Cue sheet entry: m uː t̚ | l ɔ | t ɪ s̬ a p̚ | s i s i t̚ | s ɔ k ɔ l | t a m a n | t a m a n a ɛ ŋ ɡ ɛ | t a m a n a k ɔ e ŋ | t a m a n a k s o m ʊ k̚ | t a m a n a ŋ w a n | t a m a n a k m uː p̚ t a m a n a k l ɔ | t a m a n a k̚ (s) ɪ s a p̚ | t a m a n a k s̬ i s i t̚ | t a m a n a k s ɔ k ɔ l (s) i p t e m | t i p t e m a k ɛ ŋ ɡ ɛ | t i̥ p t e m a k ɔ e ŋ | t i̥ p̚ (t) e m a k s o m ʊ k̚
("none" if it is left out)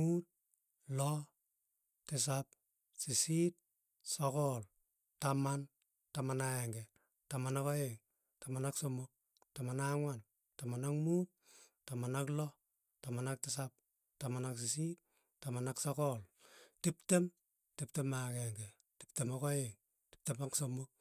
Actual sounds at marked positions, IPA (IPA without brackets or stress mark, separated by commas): t, t, t